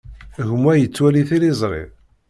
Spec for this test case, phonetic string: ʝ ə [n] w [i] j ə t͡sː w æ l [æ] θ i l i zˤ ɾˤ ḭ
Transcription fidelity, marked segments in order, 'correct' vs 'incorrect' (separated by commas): incorrect, incorrect, incorrect